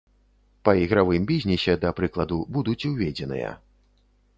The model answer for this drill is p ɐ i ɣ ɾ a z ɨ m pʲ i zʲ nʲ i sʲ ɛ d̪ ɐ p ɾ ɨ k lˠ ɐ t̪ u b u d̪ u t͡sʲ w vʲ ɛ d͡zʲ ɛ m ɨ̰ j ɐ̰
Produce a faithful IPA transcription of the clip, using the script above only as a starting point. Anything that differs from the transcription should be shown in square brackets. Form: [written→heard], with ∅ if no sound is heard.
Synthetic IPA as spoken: p ɐ i ɣ ɾ a [z→v] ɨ m [pʲ→bʲ] i zʲ nʲ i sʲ ɛ d̪ ɐ p ɾ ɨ k lˠ ɐ [t̪→d̪] u b u d̪ u t͡sʲ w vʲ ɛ d͡zʲ ɛ [m→n] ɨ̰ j ɐ̰